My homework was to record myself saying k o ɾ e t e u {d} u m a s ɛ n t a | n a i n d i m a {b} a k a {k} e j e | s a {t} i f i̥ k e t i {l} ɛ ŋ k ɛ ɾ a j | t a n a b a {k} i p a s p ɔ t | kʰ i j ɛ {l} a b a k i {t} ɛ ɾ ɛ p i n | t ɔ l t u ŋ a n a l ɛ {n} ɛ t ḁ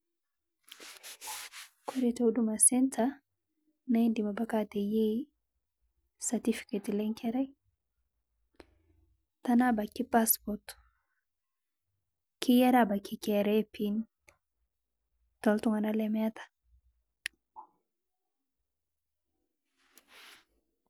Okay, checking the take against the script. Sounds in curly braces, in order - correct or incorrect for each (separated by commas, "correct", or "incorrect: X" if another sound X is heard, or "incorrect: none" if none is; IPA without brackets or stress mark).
correct, correct, incorrect: t, correct, correct, correct, incorrect: ɾ, incorrect: k, incorrect: m